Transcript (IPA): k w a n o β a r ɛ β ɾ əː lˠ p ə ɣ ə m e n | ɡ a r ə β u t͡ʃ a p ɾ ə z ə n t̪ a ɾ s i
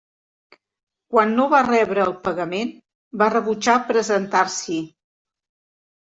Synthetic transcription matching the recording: k w a nː o β a r ɛ β ɾ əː lˠ p ə ɣ ə m e n | b a r ə β u t͡ʃ a p ɾ ə z ə n t̪ a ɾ s i